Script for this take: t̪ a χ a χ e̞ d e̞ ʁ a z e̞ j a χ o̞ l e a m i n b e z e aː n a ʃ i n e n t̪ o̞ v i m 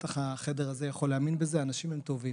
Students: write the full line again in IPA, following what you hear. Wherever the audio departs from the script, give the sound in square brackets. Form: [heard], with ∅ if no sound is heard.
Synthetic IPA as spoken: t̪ a χ a χ e̞ d e̞ ʁ a z e̞ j a χ o̞ l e a m i n b e z e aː n a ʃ i [m] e [m] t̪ o̞ v i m